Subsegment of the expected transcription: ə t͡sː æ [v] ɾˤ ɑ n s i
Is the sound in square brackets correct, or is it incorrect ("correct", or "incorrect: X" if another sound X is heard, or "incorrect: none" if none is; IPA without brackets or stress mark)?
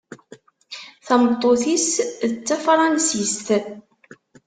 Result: incorrect: f